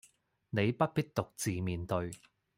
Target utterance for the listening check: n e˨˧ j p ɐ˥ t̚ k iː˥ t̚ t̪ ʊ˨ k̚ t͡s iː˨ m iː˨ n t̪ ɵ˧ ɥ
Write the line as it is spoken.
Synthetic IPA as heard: n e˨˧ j p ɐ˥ t̚ p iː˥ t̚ t̪ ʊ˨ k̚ t͡s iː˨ m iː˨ n t̪ ɵ˧ ɥ